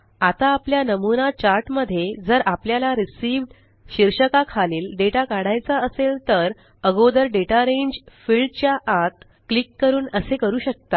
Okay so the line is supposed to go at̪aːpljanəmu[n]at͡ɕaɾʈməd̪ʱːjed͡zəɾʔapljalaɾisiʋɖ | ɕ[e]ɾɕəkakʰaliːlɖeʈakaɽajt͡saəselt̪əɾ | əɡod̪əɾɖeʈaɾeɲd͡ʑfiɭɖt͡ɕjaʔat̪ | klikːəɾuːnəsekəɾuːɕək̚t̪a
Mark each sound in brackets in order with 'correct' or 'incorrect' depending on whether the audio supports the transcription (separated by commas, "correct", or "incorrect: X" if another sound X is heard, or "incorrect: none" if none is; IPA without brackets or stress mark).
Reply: correct, incorrect: i